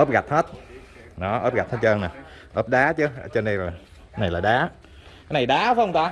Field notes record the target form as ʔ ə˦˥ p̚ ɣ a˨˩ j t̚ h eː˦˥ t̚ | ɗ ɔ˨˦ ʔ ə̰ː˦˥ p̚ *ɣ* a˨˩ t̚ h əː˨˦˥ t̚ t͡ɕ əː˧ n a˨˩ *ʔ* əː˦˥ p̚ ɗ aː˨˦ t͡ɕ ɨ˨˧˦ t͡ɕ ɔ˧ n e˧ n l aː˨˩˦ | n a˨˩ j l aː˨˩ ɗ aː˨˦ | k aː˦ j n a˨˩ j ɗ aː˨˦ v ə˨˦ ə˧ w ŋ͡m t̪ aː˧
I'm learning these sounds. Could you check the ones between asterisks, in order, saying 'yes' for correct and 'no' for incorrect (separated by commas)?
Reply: yes, yes